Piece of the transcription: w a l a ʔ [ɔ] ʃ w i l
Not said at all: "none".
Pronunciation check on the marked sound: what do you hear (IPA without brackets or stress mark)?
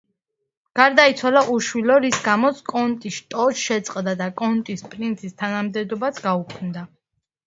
u